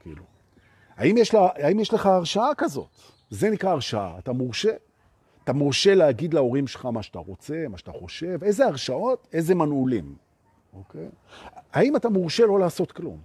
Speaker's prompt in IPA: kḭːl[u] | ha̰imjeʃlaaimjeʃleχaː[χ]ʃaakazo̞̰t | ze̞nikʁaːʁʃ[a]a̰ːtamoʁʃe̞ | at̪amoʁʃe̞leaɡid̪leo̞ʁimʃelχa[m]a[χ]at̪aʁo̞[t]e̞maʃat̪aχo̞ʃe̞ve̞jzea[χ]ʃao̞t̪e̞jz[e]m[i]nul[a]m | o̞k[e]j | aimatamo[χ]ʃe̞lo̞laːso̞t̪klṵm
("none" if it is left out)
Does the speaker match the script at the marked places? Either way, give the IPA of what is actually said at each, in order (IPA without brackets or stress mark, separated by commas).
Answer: u, ʁ, a, m, ʃ, t͡s, ʁ, e, a, i, e, ʁ